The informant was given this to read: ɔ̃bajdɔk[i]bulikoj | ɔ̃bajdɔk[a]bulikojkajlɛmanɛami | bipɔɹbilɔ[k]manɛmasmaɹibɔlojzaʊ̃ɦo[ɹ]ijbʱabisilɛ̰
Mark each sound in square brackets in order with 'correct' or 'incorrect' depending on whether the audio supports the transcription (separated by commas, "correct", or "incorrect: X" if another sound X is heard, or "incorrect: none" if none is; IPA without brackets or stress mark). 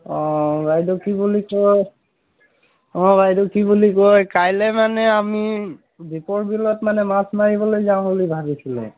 correct, incorrect: i, incorrect: t, incorrect: l